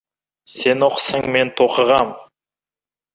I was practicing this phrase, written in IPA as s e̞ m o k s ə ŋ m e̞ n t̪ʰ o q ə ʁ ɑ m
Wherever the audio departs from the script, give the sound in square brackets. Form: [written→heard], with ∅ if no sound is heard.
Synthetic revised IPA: s e̞ [m→n] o [k→q] s ə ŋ m e̞ n t̪ʰ o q ə ʁ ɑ m